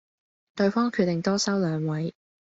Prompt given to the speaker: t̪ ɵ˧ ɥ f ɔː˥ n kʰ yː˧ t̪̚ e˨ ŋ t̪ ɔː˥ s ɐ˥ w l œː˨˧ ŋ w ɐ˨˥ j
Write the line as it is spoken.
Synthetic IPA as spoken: t̪ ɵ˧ ɥ f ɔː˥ ŋ kʰ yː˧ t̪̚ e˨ ŋ t̪ ɔː˥ s ɐ˥ w l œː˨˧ ŋ w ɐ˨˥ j